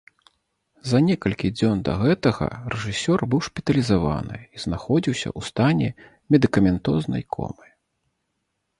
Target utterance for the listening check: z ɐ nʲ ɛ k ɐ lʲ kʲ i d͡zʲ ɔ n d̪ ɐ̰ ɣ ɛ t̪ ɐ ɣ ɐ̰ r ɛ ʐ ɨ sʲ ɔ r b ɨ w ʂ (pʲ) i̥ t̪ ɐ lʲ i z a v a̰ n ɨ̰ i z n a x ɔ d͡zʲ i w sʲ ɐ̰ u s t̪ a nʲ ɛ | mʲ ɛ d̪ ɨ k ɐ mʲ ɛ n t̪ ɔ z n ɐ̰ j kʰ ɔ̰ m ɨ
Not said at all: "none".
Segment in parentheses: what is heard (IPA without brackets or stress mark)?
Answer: pʲ